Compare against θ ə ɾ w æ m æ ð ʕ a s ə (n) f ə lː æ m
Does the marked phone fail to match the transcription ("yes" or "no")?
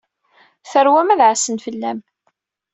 no